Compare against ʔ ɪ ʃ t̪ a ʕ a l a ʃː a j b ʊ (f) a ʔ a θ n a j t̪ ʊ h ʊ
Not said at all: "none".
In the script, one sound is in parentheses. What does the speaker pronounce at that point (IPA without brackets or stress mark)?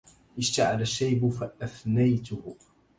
f